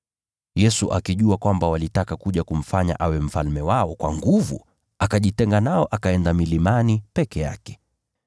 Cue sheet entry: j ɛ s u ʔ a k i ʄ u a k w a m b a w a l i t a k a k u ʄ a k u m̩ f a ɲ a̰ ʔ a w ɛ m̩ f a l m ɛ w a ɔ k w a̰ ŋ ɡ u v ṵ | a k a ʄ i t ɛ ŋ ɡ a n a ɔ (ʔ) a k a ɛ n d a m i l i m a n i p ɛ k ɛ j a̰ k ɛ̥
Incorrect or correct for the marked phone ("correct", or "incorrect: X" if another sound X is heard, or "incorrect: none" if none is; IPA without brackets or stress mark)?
correct